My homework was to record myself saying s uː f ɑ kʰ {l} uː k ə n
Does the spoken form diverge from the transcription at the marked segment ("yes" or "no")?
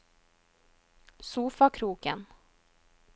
yes